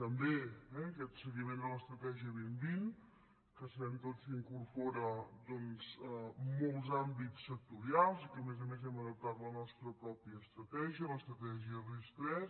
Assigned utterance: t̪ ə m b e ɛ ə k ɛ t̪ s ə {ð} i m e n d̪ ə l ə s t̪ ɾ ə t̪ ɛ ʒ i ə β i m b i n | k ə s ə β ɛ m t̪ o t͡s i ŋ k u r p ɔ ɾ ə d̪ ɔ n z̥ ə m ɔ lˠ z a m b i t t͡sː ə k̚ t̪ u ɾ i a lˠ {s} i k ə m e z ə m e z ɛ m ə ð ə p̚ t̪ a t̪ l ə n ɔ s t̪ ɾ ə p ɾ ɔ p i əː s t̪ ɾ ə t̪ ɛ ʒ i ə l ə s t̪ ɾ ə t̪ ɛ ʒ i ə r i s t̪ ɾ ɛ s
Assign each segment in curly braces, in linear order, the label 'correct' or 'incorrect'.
incorrect: ɣ, incorrect: z

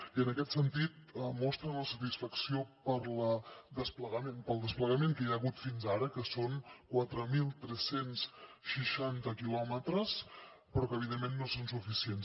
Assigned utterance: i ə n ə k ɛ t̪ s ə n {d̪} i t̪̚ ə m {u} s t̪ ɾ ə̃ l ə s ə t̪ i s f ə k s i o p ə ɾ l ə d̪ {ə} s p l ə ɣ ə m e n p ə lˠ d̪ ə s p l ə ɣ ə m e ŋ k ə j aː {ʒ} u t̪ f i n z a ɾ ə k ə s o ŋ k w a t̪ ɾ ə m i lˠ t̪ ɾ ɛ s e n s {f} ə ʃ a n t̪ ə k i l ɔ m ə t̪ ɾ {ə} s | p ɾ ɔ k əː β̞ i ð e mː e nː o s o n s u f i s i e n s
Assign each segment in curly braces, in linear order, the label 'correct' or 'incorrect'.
incorrect: t̪, incorrect: ɔ, correct, incorrect: ɣ, incorrect: ʃ, correct

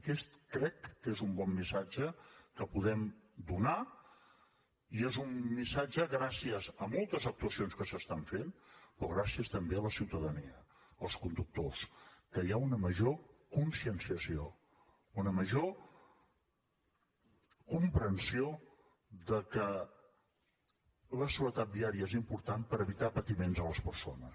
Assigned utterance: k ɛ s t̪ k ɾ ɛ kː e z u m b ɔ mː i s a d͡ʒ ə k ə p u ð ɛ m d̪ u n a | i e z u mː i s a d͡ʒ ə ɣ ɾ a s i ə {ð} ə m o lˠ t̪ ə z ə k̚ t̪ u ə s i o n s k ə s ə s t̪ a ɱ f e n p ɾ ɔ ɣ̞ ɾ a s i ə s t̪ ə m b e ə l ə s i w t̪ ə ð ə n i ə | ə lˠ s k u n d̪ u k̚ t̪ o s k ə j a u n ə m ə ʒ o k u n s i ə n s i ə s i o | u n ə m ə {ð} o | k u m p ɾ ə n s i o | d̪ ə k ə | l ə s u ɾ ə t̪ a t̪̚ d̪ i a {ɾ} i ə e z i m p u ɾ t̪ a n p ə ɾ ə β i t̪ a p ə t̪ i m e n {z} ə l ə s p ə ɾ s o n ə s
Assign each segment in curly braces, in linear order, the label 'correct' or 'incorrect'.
incorrect: z, incorrect: ʒ, correct, correct

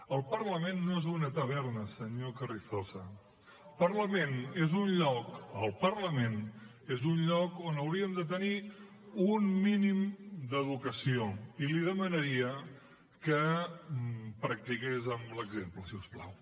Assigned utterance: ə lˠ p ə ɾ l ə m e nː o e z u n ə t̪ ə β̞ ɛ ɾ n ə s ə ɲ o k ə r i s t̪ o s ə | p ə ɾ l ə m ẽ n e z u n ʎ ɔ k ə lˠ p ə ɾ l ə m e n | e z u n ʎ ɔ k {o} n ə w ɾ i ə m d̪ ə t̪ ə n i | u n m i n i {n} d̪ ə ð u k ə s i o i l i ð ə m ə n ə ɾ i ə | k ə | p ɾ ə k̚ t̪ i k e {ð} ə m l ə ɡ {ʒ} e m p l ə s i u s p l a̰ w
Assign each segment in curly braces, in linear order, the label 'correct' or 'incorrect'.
correct, incorrect: m, incorrect: z, incorrect: z

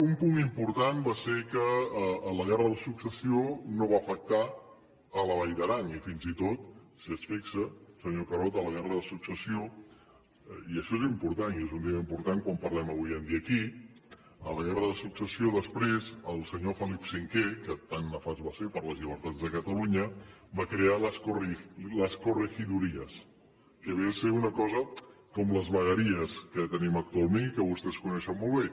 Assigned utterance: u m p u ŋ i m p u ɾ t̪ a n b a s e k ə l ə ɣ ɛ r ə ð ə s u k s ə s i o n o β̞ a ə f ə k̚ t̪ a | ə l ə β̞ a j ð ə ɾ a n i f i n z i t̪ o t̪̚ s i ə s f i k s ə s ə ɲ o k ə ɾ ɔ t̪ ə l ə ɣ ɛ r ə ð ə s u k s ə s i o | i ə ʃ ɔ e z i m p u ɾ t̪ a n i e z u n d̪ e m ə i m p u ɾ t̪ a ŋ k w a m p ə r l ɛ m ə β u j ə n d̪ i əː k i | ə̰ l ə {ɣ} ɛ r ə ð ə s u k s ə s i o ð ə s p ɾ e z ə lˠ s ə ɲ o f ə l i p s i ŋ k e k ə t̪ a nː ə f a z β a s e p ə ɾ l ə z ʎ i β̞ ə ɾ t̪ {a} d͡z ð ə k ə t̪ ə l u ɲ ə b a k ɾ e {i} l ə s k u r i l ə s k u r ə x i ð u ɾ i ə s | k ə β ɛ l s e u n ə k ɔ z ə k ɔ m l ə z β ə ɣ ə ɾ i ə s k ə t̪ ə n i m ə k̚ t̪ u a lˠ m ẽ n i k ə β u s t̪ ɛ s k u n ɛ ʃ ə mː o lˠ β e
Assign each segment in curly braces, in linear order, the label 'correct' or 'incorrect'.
correct, correct, incorrect: a

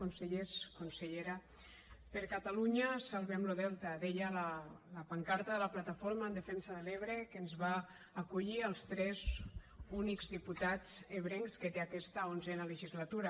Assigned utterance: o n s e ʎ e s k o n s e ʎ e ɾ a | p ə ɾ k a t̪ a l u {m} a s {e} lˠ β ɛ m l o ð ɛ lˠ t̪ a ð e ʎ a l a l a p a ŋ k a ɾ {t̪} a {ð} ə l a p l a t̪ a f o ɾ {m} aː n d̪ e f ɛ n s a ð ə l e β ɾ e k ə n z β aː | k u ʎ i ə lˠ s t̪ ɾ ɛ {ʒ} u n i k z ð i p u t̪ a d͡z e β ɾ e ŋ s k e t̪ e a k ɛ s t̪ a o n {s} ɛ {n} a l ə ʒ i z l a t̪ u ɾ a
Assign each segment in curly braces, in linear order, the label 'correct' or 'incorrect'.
incorrect: ɲ, incorrect: a, correct, correct, correct, incorrect: z, incorrect: z, correct

